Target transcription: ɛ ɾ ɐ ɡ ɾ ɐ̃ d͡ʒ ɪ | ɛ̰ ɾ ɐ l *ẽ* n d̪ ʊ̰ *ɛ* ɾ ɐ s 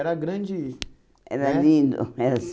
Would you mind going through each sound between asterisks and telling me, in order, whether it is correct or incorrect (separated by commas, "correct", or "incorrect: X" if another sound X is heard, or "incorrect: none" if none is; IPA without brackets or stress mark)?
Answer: incorrect: ĩ, correct